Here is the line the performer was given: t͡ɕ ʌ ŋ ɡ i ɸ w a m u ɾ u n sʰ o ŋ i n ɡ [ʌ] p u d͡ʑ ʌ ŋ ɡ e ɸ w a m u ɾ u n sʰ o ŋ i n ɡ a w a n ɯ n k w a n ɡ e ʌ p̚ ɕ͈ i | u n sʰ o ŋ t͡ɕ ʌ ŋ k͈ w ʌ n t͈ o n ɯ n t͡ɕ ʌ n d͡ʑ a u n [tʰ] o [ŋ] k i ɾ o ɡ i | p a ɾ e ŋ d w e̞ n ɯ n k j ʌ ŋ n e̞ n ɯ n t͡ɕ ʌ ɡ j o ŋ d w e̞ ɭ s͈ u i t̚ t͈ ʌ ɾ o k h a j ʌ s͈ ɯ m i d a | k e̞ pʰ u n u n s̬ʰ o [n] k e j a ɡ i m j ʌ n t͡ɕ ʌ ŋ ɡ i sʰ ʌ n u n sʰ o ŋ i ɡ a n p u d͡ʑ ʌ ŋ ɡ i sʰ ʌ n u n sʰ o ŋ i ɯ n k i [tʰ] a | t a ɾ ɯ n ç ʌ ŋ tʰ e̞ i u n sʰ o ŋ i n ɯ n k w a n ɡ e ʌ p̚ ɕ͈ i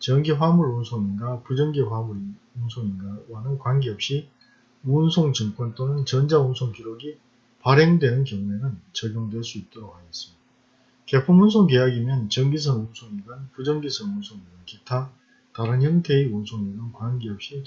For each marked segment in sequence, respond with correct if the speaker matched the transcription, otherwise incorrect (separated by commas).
incorrect, incorrect, correct, incorrect, correct